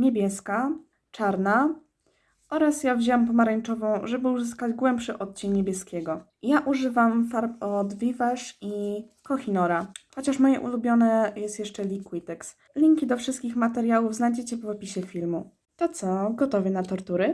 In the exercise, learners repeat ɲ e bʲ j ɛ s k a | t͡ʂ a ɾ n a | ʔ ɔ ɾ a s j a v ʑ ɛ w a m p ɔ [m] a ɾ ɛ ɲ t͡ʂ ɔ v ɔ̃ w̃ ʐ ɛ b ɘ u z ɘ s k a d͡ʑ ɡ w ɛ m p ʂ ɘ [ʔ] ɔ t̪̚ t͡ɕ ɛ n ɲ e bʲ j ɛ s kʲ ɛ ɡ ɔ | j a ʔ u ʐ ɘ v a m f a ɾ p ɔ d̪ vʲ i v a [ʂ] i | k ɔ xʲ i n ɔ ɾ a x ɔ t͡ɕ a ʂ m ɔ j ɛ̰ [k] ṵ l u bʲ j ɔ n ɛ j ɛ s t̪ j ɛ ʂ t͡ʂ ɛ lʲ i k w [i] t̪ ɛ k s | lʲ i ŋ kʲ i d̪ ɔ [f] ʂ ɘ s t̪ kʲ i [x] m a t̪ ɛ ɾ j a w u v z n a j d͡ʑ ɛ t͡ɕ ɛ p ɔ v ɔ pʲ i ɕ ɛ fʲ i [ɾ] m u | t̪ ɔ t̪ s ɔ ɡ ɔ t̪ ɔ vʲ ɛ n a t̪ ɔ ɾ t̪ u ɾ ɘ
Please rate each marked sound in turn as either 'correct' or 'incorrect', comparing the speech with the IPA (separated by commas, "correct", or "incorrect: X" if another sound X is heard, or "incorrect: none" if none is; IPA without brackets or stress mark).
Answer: correct, correct, correct, incorrect: ʔ, correct, correct, correct, incorrect: l